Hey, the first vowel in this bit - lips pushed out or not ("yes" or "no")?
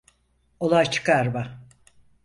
yes